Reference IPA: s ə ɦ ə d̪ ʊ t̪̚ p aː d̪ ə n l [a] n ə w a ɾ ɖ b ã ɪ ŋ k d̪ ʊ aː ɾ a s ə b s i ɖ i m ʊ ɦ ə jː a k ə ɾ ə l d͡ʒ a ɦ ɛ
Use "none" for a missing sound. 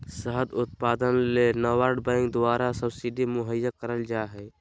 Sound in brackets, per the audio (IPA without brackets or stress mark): e